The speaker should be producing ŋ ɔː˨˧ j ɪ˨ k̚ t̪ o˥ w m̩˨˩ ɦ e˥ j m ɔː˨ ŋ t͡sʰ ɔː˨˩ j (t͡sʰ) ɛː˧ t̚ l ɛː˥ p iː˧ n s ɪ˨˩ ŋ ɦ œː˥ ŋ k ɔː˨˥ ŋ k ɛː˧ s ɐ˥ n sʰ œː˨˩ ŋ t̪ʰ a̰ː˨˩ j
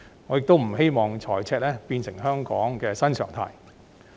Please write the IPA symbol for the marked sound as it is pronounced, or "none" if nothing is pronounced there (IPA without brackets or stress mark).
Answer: t͡sʰ